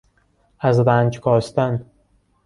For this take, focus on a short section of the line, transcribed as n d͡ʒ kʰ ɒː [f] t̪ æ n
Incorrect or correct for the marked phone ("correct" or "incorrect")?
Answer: incorrect